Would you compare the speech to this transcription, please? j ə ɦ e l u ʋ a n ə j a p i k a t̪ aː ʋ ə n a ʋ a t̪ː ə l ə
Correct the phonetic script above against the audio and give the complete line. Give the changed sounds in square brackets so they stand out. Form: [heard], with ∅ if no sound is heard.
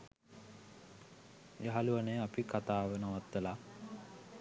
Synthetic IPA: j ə ɦ [a] l u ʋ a n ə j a p i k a t̪ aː ʋ ə n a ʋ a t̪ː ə l [a]